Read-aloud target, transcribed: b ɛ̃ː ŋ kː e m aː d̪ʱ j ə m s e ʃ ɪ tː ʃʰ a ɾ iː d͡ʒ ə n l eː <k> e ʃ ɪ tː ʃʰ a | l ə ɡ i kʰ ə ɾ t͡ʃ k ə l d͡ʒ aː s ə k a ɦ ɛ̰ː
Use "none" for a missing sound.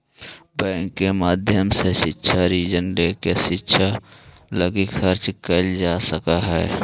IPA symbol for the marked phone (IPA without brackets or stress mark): k